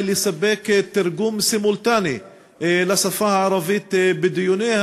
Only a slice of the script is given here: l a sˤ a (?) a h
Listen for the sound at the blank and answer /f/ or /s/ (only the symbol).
f